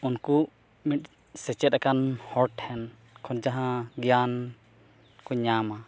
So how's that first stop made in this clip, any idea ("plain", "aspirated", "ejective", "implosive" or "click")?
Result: plain